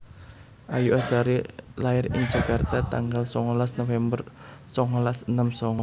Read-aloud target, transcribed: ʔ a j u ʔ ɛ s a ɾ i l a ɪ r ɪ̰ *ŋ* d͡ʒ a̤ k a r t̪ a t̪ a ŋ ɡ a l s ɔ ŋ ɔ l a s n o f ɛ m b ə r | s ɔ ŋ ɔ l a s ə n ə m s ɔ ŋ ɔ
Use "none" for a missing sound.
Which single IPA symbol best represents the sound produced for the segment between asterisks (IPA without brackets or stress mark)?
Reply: ŋ